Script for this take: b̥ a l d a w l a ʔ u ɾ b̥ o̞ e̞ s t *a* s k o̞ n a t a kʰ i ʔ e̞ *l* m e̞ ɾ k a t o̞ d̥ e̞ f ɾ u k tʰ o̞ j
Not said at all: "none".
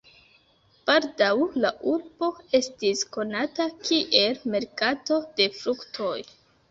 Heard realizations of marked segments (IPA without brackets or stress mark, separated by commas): i, l